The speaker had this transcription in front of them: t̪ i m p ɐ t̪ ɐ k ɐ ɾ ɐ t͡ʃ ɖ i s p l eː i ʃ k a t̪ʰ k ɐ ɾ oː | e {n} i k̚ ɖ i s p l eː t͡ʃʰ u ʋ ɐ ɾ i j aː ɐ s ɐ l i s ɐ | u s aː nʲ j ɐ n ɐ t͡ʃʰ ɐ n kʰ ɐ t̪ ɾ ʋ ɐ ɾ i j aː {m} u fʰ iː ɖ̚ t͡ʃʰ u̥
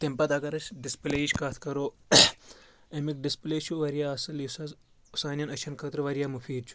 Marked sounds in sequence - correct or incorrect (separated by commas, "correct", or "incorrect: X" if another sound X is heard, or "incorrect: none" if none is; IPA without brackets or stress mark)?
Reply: incorrect: m, correct